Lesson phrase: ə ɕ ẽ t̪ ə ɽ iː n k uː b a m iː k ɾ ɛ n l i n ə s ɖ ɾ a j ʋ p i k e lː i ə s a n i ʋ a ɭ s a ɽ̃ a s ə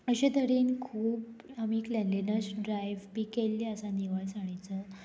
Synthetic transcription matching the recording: ə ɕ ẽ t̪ ə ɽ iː n kʰ uː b a m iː k l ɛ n l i n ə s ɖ ɾ a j ʋ p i k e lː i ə s a n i ʋ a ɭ s a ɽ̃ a t͡s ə